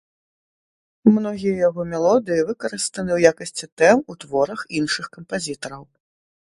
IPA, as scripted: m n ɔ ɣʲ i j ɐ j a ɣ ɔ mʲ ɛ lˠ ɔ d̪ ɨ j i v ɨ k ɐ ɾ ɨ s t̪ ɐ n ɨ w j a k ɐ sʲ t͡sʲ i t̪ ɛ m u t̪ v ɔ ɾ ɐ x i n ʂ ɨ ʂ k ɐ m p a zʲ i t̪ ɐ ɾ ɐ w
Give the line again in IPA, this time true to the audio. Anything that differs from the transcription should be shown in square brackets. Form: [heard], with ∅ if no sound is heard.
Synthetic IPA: m n ɔ ɣʲ i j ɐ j a ɣ ɔ mʲ ɛ lˠ ɔ d̪ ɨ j i v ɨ k ɐ ɾ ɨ s t̪ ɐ n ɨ w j a k ɐ sʲ t͡sʲ i t̪ ɛ m u t̪ v ɔ ɾ ɐ x i n ʂ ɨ [x] k ɐ m p a zʲ i t̪ ɐ ɾ ɐ w